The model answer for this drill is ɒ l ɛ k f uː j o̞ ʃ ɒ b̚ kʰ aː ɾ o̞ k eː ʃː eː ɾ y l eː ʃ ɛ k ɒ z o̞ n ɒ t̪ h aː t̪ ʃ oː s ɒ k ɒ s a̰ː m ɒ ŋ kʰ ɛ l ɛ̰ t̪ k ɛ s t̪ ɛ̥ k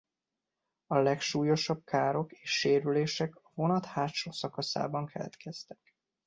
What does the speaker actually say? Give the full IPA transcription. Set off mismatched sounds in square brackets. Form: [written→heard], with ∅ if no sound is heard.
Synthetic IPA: ɒ l ɛ k [f→ʃ] uː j o̞ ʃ ɒ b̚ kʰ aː ɾ o̞ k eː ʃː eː ɾ y l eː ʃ ɛ k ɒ [z→v] o̞ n ɒ t̪ h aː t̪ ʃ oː s ɒ k ɒ s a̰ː [m→b] ɒ ŋ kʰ ɛ l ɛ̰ t̪ k ɛ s t̪ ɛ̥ k